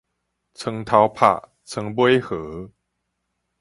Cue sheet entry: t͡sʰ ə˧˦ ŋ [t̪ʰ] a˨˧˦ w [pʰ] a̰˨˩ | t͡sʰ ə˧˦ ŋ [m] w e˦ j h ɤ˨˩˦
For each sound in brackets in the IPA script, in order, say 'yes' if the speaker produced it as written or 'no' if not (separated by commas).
yes, yes, no